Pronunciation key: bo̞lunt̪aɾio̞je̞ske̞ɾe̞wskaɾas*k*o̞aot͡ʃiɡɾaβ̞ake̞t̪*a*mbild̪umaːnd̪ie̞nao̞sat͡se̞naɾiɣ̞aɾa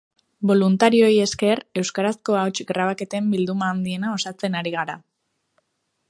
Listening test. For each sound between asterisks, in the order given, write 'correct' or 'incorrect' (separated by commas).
correct, incorrect